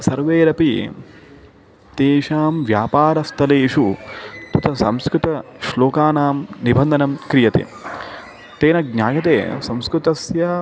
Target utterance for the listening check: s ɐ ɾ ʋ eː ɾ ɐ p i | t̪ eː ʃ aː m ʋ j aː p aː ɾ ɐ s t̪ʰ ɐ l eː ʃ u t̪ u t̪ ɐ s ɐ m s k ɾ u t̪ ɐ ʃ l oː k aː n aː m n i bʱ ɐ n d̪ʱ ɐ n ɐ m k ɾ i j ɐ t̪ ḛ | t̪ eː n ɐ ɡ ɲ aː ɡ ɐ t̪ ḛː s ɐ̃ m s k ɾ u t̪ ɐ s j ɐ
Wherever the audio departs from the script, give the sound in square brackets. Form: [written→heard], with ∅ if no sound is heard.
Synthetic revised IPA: s ɐ ɾ ʋ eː ɾ ɐ p i | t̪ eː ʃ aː m ʋ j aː p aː ɾ ɐ s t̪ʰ ɐ l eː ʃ u t̪ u t̪ ɐ s ɐ m s k ɾ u t̪ ɐ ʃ l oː k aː n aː m n i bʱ ɐ n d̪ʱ ɐ n ɐ m k ɾ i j ɐ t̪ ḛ | t̪ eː n ɐ ɡ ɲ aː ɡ ɐ t̪ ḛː s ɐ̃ m s k ɾ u t̪ ɐ s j ɐ